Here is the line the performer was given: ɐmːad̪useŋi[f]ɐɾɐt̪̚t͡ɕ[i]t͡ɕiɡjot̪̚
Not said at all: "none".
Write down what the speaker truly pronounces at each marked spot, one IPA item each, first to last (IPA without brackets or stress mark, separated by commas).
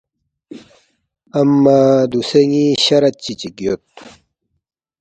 ɕ, i